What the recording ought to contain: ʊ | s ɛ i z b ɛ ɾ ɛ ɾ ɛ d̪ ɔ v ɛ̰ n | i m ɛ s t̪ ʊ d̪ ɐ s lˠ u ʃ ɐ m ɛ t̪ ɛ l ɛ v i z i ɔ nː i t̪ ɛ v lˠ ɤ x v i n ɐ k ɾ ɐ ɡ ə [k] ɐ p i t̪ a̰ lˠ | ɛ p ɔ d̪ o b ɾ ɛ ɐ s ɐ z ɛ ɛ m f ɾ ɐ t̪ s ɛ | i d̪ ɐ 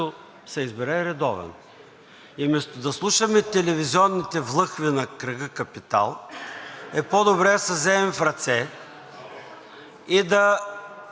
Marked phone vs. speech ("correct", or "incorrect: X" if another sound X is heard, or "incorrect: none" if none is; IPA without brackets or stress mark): correct